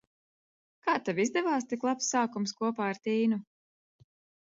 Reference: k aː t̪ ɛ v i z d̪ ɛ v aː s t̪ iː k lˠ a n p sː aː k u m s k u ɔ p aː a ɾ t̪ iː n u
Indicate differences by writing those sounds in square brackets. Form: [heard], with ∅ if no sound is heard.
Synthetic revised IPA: k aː t̪ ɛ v i z d̪ ɛ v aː s t̪ [i] k lˠ a [∅] p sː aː k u m s k u ɔ p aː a ɾ t̪ iː n u

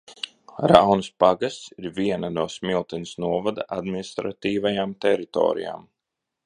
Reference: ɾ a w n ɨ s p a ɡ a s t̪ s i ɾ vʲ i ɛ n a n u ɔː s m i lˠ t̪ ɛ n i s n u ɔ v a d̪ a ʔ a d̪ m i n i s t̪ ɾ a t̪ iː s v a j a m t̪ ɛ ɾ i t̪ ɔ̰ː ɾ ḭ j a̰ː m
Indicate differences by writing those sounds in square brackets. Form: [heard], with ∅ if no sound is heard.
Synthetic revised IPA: ɾ a w n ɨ s p a ɡ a s t̪ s i ɾ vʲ i ɛ n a n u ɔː s m i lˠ t̪ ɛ n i s n u ɔ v a d̪ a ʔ a d̪ m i n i s t̪ ɾ a t̪ iː [∅] v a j a m t̪ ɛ ɾ i t̪ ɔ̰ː ɾ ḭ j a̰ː m

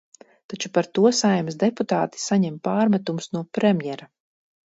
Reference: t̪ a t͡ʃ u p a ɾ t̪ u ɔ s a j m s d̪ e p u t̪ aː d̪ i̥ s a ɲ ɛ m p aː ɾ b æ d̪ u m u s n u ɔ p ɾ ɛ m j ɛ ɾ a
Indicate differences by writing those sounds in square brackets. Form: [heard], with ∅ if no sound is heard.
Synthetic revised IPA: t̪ a t͡ʃ u p a ɾ t̪ u ɔ s a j m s d̪ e p u t̪ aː [t̪] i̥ s a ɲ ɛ m p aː ɾ [m] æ [t̪] u m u s n u ɔ p ɾ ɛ m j ɛ ɾ a

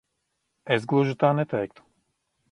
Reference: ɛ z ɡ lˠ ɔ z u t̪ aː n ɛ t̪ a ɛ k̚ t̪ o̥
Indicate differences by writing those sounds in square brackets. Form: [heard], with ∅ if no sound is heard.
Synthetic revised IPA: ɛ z ɡ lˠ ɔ [ʒ] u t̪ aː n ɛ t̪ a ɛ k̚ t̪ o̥

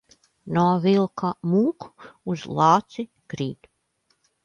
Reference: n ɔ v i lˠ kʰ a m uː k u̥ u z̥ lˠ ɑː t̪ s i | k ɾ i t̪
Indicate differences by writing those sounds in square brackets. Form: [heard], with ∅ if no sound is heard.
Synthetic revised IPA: n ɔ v i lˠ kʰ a m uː k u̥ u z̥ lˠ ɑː t̪ s i | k ɾ [iː] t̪

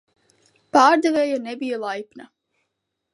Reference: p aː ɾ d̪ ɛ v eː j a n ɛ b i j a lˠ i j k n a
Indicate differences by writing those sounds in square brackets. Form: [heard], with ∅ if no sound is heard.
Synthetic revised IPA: p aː ɾ d̪ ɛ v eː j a n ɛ b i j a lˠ [a] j [p] n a

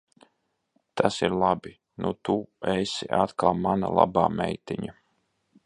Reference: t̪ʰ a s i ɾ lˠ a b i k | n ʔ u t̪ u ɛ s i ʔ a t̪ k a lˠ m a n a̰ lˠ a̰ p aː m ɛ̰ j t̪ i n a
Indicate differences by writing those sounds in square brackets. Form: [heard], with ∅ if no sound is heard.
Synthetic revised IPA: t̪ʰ a s i ɾ lˠ a b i [∅] | n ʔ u t̪ u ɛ s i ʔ a t̪ k a lˠ m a n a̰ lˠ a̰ [b] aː m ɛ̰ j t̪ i [ɲ] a

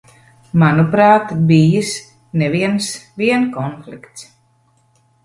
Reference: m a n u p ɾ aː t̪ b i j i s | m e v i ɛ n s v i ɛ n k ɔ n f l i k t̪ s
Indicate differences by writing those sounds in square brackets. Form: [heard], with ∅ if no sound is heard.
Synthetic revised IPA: m a n u p ɾ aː t̪ b i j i s | [n] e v i ɛ n s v i ɛ n k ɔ n f l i k t̪ s

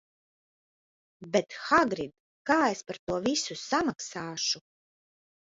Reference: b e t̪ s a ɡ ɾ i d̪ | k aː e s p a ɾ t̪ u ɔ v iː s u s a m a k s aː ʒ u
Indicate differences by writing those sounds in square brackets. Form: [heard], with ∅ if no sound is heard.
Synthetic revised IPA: b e t̪ [x] a ɡ ɾ i d̪ | k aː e s p a ɾ t̪ u ɔ v [i] s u s a m a k s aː [ʃ] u

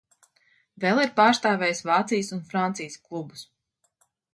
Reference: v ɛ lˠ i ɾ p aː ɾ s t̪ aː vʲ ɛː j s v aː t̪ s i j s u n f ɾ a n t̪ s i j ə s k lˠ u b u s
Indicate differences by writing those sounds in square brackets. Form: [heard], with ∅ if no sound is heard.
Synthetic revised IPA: v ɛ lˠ i ɾ p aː ɾ s t̪ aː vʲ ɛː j s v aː t̪ s i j s u n f ɾ a n t̪ s i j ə s k lˠ u b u s

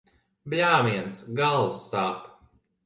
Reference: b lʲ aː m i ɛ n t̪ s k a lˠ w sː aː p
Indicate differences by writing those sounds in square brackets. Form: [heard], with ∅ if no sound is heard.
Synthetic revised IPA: b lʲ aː m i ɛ n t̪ s [ɡ] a lˠ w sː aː p

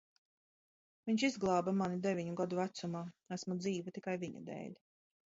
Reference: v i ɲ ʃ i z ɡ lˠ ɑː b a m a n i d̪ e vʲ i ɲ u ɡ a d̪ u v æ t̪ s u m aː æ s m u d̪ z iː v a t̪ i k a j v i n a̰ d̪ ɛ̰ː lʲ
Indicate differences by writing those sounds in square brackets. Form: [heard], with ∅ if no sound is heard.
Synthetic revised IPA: v i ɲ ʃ i z ɡ lˠ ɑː b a m a n i d̪ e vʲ i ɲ u ɡ a d̪ u v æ t̪ s u m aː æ s m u d̪ z iː v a t̪ i k a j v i [ɲ] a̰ d̪ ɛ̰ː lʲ

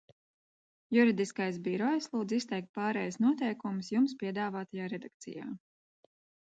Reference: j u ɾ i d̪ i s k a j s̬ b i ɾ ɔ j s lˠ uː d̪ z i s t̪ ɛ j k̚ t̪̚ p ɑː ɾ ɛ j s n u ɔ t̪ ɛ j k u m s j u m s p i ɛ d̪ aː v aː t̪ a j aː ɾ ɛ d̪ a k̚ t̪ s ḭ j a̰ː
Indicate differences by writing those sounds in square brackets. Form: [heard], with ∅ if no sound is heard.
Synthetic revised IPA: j u ɾ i d̪ i s k a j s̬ b i ɾ ɔ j s lˠ uː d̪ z i s t̪ ɛ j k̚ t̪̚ p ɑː ɾ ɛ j s n u ɔ t̪ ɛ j k u m s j u m s p i ɛ d̪ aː v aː t̪ a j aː ɾ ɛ d̪ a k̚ t̪ s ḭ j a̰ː

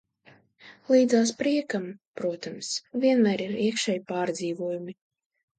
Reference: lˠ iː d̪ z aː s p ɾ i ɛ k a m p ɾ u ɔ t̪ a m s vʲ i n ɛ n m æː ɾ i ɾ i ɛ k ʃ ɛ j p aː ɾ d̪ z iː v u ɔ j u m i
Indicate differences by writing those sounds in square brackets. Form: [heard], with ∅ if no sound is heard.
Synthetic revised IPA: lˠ iː d̪ z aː s p ɾ i ɛ k a m p ɾ u ɔ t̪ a m s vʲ i [∅] ɛ n m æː ɾ i ɾ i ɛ k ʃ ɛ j p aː ɾ d̪ z iː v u ɔ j u m i

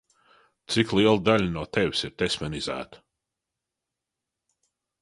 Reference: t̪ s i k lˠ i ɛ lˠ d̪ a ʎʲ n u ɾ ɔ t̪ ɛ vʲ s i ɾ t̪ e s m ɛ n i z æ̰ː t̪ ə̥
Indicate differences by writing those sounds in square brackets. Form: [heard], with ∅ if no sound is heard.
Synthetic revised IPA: t̪ s i k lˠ i ɛ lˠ d̪ a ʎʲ n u [∅] ɔ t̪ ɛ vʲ s i ɾ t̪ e s m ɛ n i z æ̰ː t̪ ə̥

